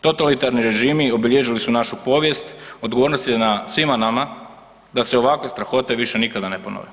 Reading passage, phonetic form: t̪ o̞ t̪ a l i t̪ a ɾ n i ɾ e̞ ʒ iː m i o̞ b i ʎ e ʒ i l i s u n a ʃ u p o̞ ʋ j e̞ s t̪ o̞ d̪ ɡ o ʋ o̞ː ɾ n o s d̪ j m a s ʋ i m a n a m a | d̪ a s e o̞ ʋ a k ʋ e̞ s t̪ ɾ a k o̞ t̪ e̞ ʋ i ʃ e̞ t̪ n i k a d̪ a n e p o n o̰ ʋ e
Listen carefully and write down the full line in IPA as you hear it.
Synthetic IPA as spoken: t̪ o̞ t̪ a l i t̪ a ɾ n i ɾ e̞ ʒ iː m i o̞ b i ʎ e ʒ i l i s u n a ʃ u p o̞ ʋ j e̞ s t̪ o̞ d̪ ɡ o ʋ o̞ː ɾ n o s t̪ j n a s ʋ i m a n a m a | d̪ a s e o̞ ʋ a k ʋ e̞ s t̪ ɾ a x o̞ t̪ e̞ ʋ i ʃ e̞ n i k a d̪ a n e p o n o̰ ʋ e